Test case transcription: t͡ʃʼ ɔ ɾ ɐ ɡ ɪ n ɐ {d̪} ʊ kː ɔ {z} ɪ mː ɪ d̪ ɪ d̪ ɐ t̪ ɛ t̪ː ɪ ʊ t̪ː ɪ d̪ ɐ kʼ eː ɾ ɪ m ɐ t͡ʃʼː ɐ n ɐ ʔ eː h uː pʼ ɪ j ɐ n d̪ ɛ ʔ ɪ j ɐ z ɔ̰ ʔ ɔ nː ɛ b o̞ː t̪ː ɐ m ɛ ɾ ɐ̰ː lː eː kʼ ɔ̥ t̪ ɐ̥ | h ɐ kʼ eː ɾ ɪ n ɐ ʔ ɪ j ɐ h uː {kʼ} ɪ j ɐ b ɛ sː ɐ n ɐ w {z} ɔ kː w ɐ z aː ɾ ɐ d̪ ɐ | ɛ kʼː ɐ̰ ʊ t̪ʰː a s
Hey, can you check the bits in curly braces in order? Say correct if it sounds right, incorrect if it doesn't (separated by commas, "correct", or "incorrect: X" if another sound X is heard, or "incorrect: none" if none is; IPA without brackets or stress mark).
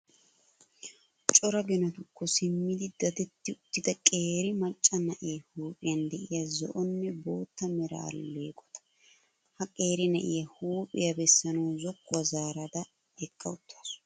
incorrect: t̪, incorrect: s, incorrect: pʼ, correct